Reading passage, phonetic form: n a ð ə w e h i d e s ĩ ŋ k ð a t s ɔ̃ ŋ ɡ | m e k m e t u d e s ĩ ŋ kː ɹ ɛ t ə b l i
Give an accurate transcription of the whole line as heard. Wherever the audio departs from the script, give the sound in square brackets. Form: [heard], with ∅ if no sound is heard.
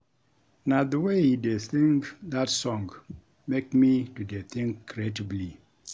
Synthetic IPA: n a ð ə w e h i d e [θ] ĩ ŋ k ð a t s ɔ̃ ŋ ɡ | m e k m [i] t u d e [θ] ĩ ŋ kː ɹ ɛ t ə b l i